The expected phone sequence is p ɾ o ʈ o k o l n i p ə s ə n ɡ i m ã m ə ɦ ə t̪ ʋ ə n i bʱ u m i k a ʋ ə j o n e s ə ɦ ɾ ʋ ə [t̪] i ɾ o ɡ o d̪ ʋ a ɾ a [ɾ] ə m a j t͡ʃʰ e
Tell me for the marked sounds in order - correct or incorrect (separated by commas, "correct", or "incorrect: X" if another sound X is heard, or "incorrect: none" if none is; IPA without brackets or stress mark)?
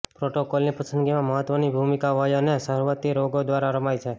correct, correct